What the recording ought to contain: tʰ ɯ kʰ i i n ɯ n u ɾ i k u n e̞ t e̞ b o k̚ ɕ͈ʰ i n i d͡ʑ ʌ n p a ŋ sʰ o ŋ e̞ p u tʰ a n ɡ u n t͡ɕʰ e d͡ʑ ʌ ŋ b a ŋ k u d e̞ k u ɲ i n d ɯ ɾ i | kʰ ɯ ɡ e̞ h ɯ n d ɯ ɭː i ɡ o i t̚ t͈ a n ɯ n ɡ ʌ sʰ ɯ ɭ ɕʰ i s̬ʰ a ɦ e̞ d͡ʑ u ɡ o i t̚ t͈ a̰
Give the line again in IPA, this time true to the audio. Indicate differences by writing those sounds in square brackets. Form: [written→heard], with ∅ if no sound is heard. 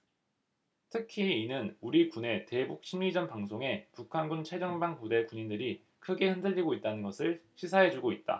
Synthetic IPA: tʰ ɯ kʰ i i n ɯ n u ɾ i k u n e̞ t e̞ b [o→u] k̚ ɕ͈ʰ i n i d͡ʑ ʌ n p a ŋ sʰ o ŋ e̞ p u [tʰ→kʰ] a n ɡ u n t͡ɕʰ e d͡ʑ ʌ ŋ b a ŋ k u d e̞ k u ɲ i n d ɯ ɾ i | kʰ ɯ ɡ e̞ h ɯ n d ɯ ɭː i ɡ o i t̚ t͈ a n ɯ n ɡ ʌ sʰ ɯ ɭ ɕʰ i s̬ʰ a ɦ e̞ d͡ʑ u ɡ o i t̚ t͈ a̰